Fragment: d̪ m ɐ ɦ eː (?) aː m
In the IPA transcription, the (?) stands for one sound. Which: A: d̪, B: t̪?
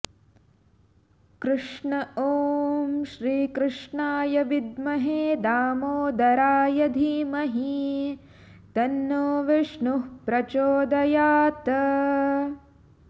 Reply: A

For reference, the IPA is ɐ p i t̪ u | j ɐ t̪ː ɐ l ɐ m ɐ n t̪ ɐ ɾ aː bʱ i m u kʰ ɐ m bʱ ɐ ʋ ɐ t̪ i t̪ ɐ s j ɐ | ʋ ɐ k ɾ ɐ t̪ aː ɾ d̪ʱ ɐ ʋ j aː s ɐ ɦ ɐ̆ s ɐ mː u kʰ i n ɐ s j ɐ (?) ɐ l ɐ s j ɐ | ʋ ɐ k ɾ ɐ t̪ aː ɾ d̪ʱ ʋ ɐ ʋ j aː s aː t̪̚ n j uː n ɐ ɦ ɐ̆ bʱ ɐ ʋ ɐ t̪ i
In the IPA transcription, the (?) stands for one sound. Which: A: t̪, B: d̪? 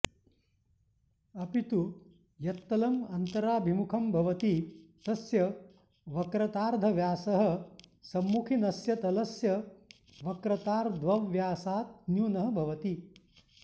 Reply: A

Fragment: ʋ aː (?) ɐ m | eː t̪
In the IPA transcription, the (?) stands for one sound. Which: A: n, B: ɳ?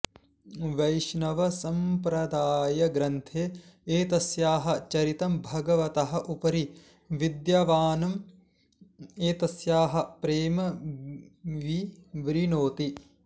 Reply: A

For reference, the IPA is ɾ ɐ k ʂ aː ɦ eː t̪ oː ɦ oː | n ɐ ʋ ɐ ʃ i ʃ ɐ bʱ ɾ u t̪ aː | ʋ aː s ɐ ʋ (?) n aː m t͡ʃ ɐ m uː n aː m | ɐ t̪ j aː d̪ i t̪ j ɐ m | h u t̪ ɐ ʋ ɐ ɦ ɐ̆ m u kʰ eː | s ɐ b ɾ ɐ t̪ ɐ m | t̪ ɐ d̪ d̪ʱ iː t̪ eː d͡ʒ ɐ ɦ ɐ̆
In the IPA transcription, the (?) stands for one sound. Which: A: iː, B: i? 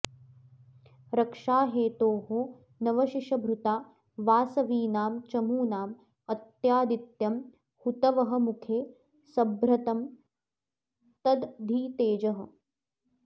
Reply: A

